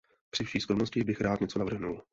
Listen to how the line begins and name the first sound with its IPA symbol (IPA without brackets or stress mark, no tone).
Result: p